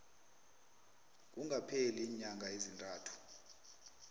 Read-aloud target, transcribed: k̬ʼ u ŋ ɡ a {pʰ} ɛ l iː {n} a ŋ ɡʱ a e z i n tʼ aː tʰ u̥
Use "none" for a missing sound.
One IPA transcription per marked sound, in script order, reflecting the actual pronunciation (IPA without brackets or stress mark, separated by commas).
pʰ, ɲ